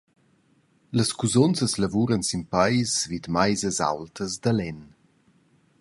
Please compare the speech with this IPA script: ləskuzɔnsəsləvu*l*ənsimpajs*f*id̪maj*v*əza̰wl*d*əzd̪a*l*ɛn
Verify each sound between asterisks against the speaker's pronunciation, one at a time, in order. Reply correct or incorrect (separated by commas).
incorrect, incorrect, incorrect, incorrect, correct